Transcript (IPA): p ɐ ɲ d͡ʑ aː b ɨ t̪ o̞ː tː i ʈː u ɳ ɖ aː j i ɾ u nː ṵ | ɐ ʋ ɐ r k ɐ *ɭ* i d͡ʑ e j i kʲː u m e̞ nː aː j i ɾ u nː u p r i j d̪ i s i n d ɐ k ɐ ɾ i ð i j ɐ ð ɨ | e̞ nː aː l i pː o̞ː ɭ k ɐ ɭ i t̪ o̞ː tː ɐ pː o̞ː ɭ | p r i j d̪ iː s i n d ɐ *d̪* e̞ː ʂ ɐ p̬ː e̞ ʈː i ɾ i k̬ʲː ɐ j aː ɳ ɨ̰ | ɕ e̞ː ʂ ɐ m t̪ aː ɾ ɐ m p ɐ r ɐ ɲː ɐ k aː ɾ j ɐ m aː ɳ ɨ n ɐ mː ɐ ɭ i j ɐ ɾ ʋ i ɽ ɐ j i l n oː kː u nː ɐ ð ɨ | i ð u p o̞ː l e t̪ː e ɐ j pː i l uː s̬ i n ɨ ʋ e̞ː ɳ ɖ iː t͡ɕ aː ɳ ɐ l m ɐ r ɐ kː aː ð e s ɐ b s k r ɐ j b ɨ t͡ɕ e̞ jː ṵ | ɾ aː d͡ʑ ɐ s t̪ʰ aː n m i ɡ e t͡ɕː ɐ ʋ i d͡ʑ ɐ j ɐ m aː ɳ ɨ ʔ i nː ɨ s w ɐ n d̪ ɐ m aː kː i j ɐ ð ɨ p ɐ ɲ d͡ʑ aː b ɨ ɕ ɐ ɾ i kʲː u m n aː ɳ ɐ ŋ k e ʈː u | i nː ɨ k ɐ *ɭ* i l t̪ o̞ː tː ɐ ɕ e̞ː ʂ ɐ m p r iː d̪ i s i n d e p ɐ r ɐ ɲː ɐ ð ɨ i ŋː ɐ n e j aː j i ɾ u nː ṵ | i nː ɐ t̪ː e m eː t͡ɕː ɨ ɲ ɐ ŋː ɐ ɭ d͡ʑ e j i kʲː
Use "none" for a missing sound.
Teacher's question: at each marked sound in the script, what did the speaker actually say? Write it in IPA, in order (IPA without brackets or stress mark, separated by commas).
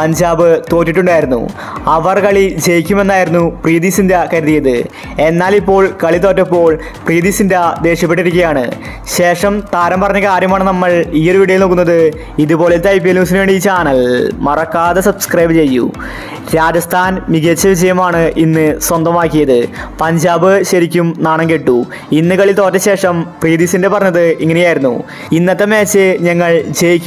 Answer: ɭ, d̪, ɭ